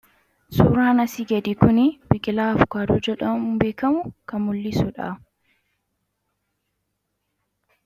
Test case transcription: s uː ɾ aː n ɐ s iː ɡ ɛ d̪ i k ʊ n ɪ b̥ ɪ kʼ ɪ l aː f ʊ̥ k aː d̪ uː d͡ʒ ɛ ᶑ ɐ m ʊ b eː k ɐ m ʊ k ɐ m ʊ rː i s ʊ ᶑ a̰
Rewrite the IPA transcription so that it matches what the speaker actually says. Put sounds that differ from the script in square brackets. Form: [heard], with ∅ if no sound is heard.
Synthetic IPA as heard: s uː ɾ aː n ɐ s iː ɡ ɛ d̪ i k ʊ n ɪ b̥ ɪ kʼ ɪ l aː f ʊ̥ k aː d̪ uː d͡ʒ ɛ ᶑ ɐ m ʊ b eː k ɐ m ʊ k ɐ m ʊ [lː] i s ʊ ᶑ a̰